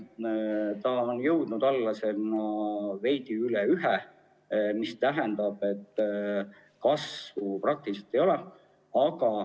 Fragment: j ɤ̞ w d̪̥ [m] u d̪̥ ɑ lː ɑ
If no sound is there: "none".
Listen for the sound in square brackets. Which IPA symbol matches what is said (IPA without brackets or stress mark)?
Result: n